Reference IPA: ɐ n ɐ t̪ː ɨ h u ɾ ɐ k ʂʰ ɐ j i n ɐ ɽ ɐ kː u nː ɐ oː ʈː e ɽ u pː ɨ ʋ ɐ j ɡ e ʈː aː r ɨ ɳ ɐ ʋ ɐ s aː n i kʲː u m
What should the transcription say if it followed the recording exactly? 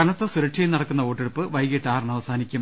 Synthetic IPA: ɐ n ɐ t̪ː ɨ s u ɾ ɐ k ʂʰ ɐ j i n ɐ ɽ ɐ kː u nː ɐ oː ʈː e ɽ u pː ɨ ʋ ɐ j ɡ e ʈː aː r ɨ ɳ ɐ ʋ ɐ s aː n i kʲː u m